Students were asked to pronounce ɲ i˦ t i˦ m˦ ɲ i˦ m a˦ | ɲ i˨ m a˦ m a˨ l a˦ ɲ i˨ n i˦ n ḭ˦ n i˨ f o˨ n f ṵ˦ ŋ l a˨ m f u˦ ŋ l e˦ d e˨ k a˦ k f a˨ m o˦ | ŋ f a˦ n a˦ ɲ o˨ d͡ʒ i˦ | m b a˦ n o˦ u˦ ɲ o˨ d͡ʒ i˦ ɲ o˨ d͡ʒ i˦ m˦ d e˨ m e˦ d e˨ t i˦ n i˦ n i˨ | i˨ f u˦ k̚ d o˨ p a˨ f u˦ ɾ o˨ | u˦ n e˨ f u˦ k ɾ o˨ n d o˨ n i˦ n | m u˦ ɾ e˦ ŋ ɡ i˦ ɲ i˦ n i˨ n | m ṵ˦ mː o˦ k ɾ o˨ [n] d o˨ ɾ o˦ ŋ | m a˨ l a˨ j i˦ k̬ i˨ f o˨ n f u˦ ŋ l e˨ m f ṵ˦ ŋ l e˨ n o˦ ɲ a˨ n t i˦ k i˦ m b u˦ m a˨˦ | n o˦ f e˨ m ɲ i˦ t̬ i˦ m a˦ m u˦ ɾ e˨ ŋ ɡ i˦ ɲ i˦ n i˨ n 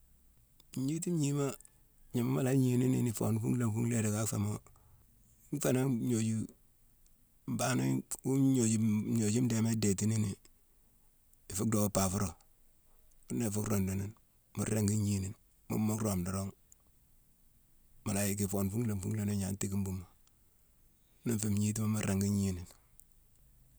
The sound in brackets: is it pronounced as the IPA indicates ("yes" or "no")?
no